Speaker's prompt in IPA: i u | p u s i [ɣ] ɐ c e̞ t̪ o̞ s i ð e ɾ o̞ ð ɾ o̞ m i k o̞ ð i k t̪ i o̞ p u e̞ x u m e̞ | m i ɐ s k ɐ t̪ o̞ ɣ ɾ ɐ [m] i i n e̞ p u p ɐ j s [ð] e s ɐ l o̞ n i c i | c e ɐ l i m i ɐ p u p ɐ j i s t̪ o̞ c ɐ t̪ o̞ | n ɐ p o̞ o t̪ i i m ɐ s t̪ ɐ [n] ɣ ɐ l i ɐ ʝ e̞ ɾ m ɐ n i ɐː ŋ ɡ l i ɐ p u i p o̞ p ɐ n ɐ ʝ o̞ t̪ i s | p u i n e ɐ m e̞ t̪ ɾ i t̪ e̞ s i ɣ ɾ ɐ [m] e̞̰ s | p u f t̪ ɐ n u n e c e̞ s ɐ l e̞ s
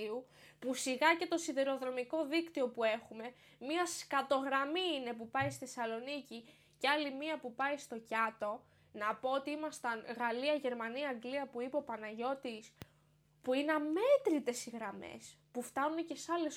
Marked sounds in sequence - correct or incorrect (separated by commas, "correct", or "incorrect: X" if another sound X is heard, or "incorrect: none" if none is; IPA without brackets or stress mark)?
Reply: correct, correct, incorrect: θ, correct, correct